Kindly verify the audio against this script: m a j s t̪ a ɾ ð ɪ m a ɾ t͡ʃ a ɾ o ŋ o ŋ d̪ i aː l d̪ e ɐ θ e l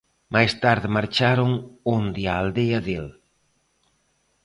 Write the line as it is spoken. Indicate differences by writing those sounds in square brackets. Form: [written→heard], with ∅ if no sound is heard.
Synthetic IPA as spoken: m a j s t̪ a ɾ ð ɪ m a ɾ t͡ʃ a ɾ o ŋ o [ŋ→n] d̪ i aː l d̪ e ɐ [θ→ð] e l